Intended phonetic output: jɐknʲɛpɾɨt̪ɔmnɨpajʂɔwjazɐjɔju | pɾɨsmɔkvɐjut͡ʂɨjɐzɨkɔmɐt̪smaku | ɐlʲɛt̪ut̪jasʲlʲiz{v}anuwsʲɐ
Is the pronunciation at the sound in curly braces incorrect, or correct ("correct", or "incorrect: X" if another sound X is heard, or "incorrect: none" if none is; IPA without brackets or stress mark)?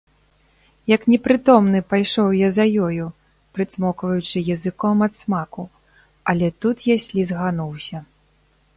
incorrect: ɣ